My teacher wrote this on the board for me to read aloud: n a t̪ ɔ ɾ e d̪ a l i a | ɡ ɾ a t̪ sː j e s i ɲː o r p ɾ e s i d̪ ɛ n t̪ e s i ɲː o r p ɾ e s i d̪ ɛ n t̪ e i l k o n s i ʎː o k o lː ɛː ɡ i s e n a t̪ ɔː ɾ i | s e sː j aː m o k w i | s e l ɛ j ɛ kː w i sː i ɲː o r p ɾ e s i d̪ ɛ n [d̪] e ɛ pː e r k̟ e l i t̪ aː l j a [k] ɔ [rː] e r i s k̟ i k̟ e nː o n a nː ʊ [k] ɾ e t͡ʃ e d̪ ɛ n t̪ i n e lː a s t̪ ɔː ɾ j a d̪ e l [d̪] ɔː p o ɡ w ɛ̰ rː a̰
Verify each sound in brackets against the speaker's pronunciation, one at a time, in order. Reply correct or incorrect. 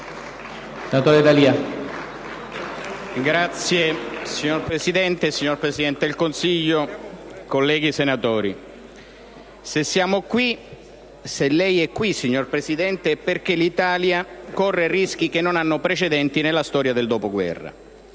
incorrect: t̪, correct, correct, incorrect: p, correct

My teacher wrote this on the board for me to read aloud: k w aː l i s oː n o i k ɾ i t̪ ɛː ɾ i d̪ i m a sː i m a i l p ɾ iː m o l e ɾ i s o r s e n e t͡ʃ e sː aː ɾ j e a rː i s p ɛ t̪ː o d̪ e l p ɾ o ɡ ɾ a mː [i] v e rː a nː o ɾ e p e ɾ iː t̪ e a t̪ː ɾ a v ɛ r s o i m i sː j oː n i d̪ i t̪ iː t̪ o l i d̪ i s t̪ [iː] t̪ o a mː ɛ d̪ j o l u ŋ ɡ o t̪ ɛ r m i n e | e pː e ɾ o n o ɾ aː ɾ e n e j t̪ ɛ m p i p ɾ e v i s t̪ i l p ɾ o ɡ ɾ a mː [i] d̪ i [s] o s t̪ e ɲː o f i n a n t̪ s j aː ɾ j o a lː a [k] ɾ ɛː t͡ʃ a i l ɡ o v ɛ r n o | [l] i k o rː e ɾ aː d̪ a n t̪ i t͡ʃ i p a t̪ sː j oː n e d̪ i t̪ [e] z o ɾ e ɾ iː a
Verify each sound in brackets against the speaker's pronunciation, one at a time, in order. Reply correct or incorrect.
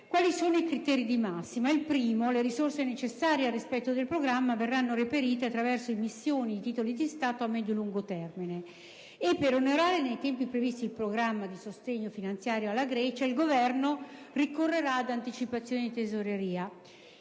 incorrect: a, incorrect: aː, incorrect: a, correct, incorrect: ɡ, incorrect: r, correct

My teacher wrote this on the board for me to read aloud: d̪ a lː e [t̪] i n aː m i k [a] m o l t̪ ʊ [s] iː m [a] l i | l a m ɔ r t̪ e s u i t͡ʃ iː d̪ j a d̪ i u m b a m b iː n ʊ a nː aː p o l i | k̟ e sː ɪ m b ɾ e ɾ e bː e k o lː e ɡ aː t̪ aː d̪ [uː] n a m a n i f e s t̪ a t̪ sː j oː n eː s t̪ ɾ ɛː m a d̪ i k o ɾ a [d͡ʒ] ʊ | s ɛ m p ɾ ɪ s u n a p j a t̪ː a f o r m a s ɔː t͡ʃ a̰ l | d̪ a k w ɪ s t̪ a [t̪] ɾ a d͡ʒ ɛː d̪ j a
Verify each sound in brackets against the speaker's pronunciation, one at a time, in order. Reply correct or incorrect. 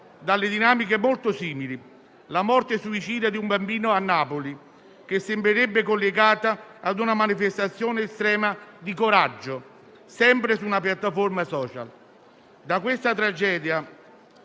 incorrect: d̪, incorrect: e, correct, incorrect: i, incorrect: u, incorrect: d͡ʒː, correct

